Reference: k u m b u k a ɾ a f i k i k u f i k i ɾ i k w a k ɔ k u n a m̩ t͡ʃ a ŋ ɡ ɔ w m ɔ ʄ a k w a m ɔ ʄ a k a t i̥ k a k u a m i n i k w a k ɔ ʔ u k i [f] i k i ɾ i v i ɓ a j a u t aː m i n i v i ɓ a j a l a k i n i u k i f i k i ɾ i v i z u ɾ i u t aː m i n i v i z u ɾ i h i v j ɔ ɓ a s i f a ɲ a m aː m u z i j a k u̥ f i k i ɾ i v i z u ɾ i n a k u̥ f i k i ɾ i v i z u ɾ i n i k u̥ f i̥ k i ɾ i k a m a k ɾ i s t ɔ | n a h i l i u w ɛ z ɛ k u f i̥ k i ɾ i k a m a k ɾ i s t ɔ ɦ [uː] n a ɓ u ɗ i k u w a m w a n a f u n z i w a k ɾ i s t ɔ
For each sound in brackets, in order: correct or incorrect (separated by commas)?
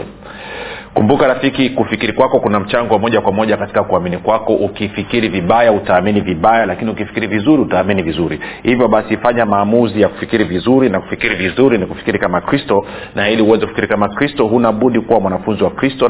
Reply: correct, incorrect